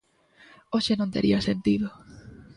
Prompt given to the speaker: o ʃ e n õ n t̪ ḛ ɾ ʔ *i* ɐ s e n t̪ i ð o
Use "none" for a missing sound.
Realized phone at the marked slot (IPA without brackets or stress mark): i